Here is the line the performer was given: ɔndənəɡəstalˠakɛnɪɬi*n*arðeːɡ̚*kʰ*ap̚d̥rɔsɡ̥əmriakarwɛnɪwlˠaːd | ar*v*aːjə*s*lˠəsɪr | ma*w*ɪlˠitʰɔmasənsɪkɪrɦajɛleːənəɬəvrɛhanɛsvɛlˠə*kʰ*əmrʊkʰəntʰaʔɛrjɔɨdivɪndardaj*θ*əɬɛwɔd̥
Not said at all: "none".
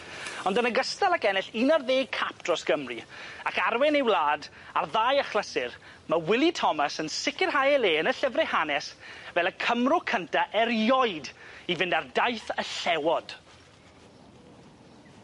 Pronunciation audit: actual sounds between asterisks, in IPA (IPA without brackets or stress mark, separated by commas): n, kʰ, ð, χ, w, kʰ, θ